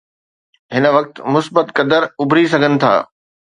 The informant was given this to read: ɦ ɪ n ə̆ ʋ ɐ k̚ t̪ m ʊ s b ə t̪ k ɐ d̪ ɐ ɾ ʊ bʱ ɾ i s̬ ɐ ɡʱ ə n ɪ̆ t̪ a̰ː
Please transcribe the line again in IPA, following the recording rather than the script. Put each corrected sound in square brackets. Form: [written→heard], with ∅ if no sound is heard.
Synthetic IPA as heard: ɦ ɪ n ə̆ ʋ ɐ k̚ t̪ m ʊ s b ə t̪ k ɐ d̪ [ɐ→ə] ɾ ʊ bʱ ɾ i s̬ ɐ ɡʱ ə n ɪ̆ [t̪→t̪ʰ] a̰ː